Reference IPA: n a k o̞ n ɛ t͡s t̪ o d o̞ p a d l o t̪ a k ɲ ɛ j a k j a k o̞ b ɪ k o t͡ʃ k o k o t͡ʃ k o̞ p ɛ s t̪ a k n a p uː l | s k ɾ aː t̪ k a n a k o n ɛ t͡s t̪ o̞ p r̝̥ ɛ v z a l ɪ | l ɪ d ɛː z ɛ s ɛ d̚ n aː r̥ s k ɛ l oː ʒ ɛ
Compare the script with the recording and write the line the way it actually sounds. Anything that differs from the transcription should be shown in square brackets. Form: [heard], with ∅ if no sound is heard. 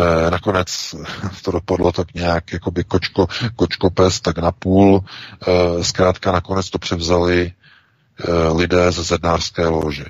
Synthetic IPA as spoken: n a k o̞ n ɛ t͡s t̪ o d o̞ p a d l o t̪ a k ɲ ɛ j a k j a k o̞ b ɪ k o t͡ʃ k o k o t͡ʃ k o̞ p ɛ s t̪ a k n a p uː l | s k ɾ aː t̪ k a n a k o n ɛ t͡s t̪ o̞ p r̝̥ ɛ v z a l ɪ | l ɪ d ɛː z ɛ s ɛ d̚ n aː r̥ s k [ɛː] l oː ʒ ɛ